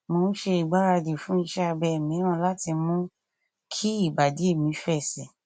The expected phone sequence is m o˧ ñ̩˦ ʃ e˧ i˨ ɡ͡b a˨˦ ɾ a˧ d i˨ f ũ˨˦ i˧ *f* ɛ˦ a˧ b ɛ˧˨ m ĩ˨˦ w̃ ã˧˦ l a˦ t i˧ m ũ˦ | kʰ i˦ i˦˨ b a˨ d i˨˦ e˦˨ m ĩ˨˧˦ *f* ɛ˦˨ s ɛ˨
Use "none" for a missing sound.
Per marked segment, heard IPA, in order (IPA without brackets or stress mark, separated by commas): ʃ, f